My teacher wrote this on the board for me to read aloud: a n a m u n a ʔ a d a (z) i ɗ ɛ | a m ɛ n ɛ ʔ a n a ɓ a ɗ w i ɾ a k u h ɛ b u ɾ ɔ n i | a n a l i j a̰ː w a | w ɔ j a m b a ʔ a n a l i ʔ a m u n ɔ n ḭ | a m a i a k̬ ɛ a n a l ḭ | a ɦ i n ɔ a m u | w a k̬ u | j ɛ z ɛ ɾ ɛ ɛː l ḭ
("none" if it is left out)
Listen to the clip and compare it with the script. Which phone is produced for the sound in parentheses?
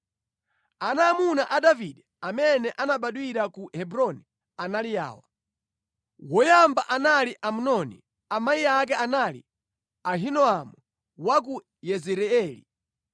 v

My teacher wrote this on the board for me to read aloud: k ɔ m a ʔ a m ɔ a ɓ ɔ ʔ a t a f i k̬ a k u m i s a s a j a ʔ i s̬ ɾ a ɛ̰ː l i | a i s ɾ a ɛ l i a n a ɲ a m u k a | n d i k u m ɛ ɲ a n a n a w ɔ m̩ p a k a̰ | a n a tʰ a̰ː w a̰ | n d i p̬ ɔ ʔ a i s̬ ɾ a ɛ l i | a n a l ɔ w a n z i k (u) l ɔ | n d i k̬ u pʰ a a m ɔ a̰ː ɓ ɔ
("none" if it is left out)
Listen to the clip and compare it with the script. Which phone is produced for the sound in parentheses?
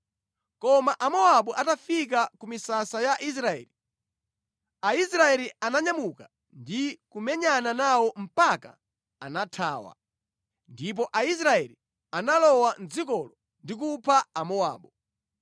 ɔ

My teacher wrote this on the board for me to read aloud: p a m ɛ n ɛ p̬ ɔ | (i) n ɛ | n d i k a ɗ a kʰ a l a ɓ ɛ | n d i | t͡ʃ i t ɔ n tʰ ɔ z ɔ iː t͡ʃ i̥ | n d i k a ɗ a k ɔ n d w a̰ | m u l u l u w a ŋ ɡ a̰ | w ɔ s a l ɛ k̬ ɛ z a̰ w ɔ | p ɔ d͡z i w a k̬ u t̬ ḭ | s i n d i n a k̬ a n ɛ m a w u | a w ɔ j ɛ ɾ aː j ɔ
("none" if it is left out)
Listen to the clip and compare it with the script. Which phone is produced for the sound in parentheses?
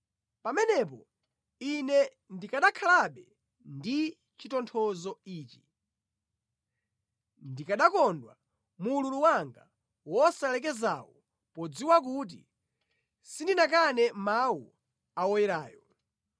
i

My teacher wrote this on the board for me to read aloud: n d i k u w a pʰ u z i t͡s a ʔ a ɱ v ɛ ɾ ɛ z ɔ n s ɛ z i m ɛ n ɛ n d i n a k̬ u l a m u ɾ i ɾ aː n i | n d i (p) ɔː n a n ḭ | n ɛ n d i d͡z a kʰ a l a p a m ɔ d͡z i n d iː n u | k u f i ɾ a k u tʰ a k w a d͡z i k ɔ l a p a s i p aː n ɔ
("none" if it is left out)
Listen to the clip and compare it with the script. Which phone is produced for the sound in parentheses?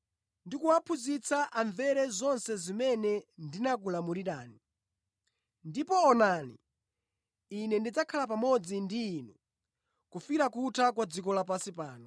p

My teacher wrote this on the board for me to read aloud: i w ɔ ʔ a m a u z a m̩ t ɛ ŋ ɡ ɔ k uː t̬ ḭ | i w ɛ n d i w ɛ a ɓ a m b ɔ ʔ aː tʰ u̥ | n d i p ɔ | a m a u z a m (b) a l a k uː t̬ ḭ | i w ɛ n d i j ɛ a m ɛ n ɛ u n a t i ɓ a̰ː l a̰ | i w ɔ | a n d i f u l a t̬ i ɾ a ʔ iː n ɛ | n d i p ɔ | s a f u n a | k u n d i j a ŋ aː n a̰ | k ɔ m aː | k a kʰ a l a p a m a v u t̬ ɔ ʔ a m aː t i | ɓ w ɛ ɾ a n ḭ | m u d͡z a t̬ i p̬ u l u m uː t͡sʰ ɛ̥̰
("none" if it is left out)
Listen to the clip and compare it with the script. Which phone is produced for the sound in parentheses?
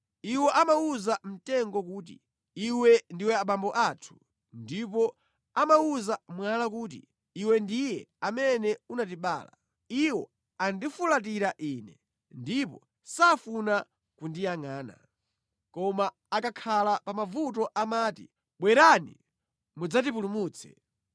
w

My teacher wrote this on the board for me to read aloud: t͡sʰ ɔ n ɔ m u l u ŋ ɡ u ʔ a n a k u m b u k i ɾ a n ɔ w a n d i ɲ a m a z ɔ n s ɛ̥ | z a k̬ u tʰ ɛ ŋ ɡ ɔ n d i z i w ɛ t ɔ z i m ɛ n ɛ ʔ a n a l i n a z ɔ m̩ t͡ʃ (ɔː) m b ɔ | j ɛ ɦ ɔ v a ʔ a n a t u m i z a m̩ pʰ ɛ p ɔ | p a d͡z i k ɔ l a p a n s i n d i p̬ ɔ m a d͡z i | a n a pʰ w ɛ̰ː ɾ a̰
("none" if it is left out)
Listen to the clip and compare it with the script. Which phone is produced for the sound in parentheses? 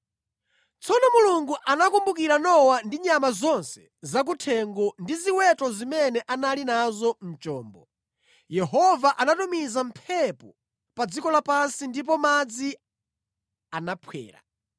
ɔː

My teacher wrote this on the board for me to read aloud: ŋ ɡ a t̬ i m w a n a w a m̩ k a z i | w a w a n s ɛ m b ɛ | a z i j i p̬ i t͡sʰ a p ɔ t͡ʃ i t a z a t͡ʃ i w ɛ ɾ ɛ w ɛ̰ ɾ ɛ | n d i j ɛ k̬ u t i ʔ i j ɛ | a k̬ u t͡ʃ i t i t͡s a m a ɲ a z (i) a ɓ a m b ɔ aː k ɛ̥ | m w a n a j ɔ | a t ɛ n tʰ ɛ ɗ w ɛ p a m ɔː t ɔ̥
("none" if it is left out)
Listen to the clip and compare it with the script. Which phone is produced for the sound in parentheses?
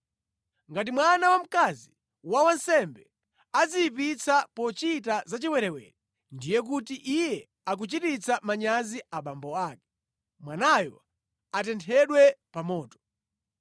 i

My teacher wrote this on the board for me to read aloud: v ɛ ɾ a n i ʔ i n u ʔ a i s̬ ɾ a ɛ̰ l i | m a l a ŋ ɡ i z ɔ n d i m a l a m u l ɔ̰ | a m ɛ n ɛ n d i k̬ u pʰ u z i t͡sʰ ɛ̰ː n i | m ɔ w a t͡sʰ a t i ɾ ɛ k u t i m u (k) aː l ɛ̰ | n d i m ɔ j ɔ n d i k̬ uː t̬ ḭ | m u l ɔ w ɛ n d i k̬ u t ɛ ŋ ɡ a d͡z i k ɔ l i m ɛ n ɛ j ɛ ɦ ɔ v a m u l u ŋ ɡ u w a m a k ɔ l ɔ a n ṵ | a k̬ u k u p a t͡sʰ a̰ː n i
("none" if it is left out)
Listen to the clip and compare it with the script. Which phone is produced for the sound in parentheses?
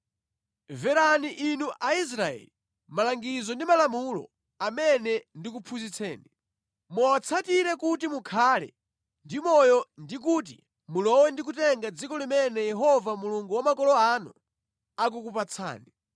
kʰ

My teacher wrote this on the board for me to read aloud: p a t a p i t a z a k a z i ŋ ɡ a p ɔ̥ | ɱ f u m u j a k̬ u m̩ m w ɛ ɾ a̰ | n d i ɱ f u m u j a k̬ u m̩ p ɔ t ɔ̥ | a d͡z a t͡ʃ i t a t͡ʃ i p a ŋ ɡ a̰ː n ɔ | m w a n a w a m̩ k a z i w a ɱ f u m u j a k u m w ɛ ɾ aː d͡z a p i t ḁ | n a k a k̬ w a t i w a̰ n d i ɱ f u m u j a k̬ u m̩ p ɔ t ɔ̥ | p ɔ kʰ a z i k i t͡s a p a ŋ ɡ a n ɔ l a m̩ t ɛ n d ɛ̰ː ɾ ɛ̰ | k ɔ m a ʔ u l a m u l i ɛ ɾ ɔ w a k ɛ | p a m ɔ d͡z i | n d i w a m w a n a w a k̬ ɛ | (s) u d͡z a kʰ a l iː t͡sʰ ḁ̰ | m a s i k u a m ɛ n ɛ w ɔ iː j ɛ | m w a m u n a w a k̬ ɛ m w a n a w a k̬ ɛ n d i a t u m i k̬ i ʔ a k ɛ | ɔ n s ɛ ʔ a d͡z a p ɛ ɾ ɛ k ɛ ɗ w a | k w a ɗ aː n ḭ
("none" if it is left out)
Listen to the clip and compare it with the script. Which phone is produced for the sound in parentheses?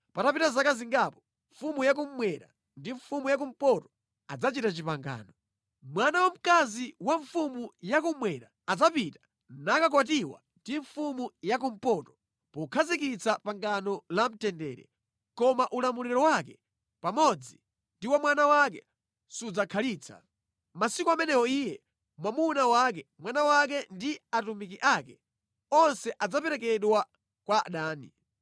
s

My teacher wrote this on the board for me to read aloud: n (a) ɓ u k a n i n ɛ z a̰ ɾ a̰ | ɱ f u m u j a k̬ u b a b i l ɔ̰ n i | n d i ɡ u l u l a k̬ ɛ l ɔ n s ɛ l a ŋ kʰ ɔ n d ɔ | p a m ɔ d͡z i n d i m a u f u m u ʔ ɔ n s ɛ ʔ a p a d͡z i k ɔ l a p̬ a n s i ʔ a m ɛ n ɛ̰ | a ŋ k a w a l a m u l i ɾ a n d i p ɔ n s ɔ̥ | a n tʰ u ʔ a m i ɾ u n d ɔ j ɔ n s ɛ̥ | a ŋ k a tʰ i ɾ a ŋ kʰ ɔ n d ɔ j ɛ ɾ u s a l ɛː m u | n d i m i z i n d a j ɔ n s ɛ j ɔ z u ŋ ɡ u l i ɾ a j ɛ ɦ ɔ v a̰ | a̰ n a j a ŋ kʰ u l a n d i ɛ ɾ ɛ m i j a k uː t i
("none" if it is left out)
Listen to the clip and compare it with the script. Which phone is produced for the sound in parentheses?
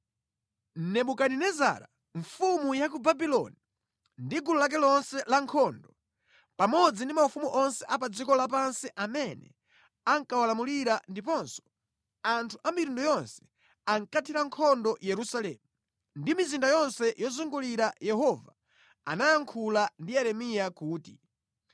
ɛ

